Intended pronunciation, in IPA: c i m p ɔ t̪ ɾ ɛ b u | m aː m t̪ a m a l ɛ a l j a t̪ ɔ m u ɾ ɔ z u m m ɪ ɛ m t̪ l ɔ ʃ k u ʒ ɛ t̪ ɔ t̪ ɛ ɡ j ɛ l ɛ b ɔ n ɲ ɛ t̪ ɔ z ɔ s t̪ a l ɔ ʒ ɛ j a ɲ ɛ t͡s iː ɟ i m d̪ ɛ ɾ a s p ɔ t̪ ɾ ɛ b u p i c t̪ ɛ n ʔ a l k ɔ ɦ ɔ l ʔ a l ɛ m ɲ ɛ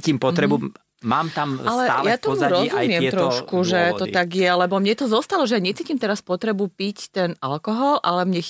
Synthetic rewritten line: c i m p ɔ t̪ ɾ ɛ b u | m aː m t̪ a m a l ɛ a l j a t̪ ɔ m u ɾ ɔ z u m m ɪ ɛ m t̪ ɾ ɔ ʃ k u ʒ ɛ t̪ ɔ t̪ a ɡ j ɛ l ɛ b ɔ m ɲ ɛ t̪ ɔ z ɔ s t̪ a l ɔ ʒ ɛ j a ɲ ɛ t͡s iː c i m t̪ ɛ ɾ a s p ɔ t̪ ɾ ɛ b u p i c t̪ ɛ n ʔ a l k ɔ ɦ ɔ l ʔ a l ɛ m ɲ ɛ